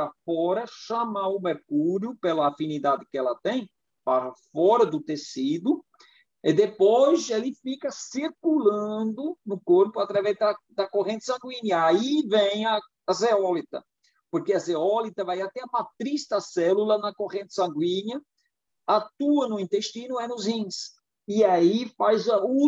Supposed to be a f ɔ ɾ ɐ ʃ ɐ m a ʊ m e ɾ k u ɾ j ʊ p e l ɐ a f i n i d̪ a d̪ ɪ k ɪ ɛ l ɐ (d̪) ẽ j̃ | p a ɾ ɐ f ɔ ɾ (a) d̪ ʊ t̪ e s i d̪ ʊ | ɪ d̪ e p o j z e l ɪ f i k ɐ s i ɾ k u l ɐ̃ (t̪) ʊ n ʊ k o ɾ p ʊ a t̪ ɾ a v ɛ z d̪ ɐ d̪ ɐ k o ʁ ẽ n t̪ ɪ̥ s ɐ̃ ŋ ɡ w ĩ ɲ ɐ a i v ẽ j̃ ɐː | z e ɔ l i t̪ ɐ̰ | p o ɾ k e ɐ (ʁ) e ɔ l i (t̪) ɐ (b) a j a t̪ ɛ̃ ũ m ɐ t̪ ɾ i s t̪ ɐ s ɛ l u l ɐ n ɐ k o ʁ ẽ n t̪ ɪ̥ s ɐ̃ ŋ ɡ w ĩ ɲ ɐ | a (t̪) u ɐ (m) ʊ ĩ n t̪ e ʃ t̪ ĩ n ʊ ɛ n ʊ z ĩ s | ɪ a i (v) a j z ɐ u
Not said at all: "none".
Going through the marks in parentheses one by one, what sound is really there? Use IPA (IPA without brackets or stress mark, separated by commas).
t̪, ɐ, d̪, z, t̪, v, t̪, n, f